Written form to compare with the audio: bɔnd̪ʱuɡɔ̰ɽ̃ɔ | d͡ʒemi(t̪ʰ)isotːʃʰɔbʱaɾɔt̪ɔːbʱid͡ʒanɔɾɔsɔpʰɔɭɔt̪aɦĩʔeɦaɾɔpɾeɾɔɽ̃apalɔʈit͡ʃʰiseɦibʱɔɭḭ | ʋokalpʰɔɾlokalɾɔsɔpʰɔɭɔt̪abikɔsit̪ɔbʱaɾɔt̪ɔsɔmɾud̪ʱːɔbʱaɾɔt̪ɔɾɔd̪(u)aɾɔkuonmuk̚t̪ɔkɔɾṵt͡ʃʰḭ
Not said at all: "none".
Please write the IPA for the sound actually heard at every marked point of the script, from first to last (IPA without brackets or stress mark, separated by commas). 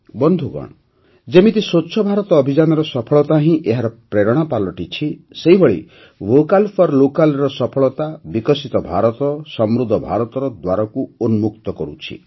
t̪, w